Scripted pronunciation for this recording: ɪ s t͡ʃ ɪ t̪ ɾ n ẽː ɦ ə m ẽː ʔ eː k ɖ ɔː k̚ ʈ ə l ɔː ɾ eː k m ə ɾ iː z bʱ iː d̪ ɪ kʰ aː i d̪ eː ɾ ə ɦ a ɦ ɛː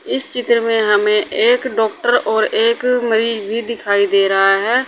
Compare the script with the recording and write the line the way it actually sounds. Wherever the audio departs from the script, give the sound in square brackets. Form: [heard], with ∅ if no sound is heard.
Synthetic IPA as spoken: ɪ s t͡ʃ ɪ t̪ ɾ [m] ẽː ɦ ə m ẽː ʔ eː k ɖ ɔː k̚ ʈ ə [ɾ] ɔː ɾ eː k m ə ɾ iː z bʱ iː d̪ ɪ kʰ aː i d̪ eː ɾ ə ɦ a ɦ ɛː